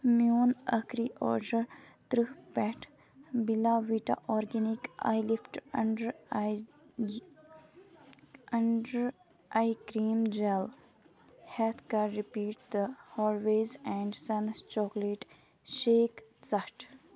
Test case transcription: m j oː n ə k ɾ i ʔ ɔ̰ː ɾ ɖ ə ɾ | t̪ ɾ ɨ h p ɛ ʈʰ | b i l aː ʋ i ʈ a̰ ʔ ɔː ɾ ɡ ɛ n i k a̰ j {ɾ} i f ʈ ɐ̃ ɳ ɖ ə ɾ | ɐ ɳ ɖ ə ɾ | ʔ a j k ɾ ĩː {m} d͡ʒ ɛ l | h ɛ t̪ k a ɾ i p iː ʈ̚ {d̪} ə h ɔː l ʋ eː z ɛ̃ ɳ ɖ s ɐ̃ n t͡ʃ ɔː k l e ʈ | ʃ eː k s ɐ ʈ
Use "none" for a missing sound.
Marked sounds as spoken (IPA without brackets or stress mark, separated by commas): l, m, d̪